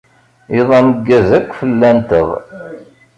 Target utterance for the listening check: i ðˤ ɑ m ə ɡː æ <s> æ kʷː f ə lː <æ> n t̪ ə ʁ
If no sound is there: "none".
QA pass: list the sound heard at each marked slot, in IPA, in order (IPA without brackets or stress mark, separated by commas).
z, æ